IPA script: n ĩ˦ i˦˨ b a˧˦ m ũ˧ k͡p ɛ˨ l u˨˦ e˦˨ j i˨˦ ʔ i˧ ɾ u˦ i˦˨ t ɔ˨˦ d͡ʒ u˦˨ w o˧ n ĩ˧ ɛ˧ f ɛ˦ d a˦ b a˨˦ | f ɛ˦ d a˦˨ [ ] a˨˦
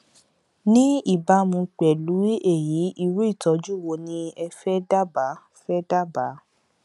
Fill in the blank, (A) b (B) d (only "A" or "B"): A